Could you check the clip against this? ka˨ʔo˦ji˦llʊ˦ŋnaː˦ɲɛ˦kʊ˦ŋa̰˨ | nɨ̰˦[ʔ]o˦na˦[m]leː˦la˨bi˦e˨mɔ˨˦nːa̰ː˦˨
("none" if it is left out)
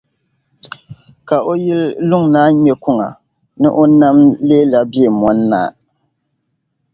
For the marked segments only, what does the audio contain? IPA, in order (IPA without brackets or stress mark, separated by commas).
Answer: ʔ, m